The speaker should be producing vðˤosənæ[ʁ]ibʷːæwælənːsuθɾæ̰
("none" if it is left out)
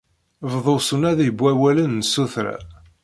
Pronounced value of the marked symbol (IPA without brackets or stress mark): ð